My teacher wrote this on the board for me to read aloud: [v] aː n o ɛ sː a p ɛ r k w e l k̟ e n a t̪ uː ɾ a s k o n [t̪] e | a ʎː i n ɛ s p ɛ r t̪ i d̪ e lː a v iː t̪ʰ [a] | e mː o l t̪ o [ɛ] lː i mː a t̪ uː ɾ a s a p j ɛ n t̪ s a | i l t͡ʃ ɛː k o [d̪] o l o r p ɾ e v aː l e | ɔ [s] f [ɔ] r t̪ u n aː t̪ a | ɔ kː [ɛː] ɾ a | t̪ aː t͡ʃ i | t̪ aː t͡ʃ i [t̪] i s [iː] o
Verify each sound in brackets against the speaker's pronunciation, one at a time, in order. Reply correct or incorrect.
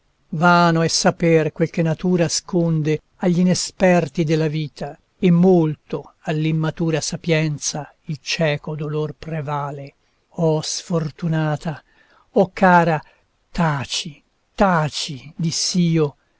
correct, incorrect: d̪, correct, incorrect: a, correct, correct, incorrect: o, incorrect: aː, incorrect: d̪, correct

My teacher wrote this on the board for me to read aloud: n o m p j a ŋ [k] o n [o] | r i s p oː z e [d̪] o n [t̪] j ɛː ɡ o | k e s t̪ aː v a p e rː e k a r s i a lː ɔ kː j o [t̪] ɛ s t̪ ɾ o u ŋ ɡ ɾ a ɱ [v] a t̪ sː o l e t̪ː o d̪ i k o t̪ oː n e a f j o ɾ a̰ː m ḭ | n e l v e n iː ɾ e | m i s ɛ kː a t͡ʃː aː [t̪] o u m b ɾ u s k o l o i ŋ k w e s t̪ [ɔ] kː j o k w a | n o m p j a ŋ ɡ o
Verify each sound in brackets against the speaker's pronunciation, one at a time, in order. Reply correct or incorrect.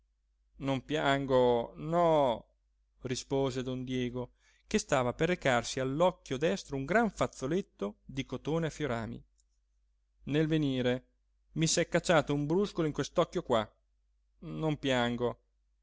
incorrect: ɡ, incorrect: ɔ, correct, incorrect: d̪, incorrect: d̪, incorrect: f, correct, correct

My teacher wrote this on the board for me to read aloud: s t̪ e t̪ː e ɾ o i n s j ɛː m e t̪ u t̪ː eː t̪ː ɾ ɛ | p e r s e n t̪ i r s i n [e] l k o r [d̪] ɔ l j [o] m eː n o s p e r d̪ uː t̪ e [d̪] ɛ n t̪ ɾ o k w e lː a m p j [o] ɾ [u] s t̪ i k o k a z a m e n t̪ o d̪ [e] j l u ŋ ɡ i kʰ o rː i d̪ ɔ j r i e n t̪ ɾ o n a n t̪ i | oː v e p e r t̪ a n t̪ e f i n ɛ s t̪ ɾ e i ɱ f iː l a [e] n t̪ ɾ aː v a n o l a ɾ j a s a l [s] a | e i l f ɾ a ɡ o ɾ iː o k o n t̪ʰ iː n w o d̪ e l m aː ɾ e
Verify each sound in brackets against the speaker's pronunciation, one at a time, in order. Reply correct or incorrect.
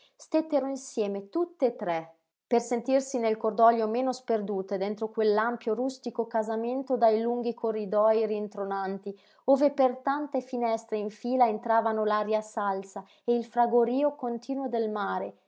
correct, correct, correct, correct, correct, correct, incorrect: a, correct, correct

